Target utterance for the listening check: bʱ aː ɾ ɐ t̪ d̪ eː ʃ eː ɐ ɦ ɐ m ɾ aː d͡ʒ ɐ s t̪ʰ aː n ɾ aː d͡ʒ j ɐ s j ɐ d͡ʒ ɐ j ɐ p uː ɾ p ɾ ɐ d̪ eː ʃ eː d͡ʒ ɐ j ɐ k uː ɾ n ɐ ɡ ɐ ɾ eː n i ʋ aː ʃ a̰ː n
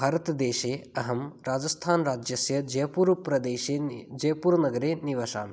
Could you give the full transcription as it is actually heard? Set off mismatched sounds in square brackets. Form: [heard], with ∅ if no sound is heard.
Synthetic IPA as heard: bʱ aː ɾ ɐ t̪ d̪ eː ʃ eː ɐ ɦ ɐ m ɾ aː d͡ʒ ɐ s t̪ʰ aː n ɾ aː d͡ʒ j ɐ s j ɐ d͡ʒ ɐ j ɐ p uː ɾ p ɾ ɐ d̪ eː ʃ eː d͡ʒ ɐ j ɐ [p] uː ɾ n ɐ ɡ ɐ ɾ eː n i ʋ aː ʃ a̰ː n